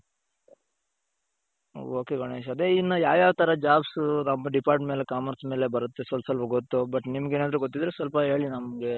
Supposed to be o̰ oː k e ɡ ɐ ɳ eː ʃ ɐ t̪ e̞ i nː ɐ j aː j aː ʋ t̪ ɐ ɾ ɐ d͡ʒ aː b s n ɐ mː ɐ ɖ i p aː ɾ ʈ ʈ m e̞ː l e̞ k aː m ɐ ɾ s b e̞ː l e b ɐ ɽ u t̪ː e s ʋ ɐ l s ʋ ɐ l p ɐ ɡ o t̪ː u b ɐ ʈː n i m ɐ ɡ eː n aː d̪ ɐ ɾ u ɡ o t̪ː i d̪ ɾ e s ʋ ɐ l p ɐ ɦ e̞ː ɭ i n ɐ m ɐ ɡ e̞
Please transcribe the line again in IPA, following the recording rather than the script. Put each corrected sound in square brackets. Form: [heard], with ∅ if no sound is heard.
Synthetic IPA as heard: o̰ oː k e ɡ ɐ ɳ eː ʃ ɐ [d̪] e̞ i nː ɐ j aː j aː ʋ t̪ ɐ ɾ ɐ d͡ʒ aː b s n ɐ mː ɐ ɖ i p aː ɾ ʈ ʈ m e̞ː l e̞ k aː m ɐ ɾ s [m] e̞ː l e b ɐ [ɾ] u t̪ː e s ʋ ɐ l s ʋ ɐ l p ɐ ɡ o t̪ː u b ɐ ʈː n i m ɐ ɡ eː n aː d̪ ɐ ɾ u ɡ o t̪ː i d̪ ɾ e s ʋ ɐ l p ɐ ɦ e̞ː ɭ i n ɐ m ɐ ɡ e̞